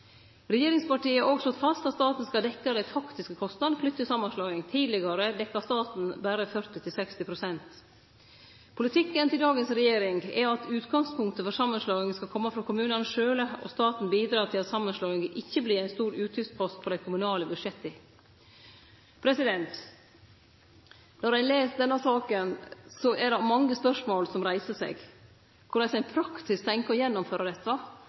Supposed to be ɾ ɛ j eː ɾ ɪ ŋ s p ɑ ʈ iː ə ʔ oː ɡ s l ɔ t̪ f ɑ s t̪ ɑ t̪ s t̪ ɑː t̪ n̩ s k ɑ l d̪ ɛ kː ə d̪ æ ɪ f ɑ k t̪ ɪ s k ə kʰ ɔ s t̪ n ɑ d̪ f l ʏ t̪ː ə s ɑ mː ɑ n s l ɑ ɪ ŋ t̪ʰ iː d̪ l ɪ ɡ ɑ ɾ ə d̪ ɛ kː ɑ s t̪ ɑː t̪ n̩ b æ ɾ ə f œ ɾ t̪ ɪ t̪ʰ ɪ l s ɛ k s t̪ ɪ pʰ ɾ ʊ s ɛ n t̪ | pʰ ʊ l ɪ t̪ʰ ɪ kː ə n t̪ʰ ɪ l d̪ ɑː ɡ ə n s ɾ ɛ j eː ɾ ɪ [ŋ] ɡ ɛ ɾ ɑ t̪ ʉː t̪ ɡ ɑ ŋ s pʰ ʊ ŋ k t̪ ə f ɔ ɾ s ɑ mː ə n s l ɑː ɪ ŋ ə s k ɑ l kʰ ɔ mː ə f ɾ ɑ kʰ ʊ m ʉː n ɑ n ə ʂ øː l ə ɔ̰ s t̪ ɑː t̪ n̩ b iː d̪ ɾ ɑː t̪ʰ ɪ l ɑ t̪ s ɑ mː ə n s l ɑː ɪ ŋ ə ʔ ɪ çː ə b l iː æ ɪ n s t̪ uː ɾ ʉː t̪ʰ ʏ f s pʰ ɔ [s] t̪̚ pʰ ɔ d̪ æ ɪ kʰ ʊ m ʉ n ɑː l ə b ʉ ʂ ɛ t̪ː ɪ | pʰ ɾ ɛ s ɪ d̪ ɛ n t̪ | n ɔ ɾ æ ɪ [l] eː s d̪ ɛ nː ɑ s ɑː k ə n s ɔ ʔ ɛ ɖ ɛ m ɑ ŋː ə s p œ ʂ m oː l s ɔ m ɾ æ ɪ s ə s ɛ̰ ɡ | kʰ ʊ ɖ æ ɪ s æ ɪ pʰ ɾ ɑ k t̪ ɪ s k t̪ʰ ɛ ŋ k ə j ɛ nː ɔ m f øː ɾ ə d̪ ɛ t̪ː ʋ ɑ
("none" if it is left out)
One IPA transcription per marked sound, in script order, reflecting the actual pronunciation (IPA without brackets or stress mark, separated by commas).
ŋ, s, l